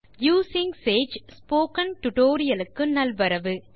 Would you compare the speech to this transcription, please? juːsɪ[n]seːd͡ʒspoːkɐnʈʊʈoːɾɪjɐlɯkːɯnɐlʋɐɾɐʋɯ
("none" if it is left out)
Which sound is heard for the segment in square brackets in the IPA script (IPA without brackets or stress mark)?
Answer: ŋ